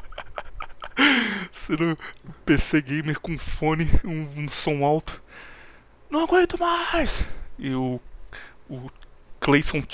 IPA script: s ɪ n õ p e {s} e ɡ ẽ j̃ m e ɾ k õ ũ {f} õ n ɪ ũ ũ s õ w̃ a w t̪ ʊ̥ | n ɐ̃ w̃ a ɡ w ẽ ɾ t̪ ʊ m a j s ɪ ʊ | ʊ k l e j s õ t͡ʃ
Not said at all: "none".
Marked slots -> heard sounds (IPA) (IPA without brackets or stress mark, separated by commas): s, f